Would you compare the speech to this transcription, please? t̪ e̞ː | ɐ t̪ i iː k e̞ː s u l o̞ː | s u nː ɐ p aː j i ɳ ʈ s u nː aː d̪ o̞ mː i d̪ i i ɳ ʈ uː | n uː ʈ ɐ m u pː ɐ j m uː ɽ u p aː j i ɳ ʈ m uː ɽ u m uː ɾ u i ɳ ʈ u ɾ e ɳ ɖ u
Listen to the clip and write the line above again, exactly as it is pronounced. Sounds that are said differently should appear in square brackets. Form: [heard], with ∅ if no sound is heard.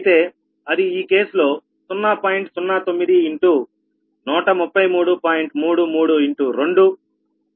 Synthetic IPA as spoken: t̪ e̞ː | ɐ [d̪] i iː k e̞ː s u l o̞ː | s u nː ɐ p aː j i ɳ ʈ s u nː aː [t̪] o̞ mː i d̪ i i ɳ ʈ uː | n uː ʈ ɐ m u pː ɐ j m uː ɽ u p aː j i ɳ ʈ m uː ɽ u m uː [ɽ] u i ɳ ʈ u ɾ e ɳ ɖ u